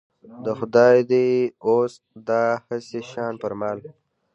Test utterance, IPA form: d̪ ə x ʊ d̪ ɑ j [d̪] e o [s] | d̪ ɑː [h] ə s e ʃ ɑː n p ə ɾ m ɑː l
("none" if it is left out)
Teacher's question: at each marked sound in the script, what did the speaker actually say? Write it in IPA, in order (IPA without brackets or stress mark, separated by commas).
d̪, s, h